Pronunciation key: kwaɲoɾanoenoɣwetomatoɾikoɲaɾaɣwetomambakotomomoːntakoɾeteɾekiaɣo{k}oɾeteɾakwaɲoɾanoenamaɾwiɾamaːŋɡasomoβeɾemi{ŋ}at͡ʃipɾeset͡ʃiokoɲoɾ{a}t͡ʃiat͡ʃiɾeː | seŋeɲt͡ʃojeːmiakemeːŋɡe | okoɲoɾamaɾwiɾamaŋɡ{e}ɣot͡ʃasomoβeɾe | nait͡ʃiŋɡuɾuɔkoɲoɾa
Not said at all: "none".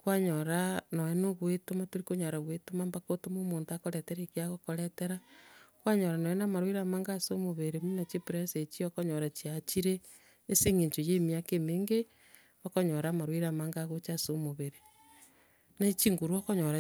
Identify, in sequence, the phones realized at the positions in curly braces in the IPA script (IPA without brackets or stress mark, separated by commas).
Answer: k, n, a, a